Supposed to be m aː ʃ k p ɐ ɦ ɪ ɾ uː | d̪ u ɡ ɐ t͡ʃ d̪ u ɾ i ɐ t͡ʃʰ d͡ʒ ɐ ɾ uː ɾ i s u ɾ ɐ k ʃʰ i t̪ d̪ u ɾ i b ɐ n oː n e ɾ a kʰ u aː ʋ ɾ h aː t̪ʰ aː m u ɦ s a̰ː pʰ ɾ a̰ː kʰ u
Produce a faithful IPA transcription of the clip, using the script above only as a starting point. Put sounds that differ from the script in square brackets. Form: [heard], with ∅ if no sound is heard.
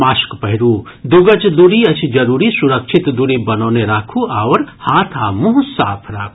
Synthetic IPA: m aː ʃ k p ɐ ɦ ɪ ɾ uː | d̪ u ɡ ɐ t͡ʃ d̪ u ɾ i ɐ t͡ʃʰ d͡ʒ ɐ ɾ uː ɾ i s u ɾ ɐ k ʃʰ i t̪ d̪ u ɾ i b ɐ n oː n e ɾ a kʰ u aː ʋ ɾ h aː t̪ʰ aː m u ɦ s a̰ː pʰ ɾ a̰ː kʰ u